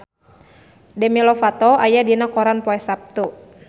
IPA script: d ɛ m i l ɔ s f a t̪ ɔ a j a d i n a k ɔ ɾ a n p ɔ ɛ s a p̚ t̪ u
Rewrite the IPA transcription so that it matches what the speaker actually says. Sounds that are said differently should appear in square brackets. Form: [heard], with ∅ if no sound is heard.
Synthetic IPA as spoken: d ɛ m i l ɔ [∅] f a t̪ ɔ a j a d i n a k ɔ ɾ a n p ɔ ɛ s a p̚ t̪ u